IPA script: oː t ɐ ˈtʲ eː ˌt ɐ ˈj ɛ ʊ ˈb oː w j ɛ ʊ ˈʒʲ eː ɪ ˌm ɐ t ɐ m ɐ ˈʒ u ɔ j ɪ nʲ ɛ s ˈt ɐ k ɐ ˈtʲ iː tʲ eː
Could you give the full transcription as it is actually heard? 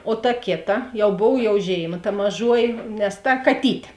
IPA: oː t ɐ ˈkʲ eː ˌt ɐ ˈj ɛ ʊ ˈb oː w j ɛ ʊ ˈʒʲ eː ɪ ˌm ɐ t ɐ m ɐ ˈʒ u ɔ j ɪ nʲ ɛ s ˈt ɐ k ɐ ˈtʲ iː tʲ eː